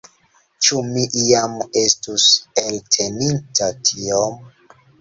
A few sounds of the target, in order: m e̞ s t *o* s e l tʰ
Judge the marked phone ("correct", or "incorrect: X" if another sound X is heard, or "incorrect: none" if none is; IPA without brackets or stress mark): incorrect: u